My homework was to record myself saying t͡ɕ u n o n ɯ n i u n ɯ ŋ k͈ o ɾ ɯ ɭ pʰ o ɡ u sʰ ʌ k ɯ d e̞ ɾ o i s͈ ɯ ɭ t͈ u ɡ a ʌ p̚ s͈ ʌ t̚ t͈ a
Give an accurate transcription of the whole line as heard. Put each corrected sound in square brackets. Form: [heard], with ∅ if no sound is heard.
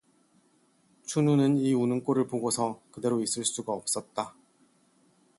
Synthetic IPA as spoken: [t͡ɕʰ] u n [u] n ɯ n i u n ɯ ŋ k͈ o ɾ ɯ ɭ [p] o ɡ [o] sʰ ʌ k ɯ d e̞ ɾ o i s͈ ɯ ɭ [s͈] u ɡ a ʌ p̚ s͈ ʌ t̚ t͈ a